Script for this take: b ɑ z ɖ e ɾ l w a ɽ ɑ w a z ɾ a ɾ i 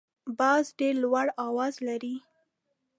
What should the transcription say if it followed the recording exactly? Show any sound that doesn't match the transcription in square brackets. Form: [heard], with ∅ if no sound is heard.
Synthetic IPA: b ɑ z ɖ e ɾ l w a ɽ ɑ w [ɑ] z [l] a ɾ i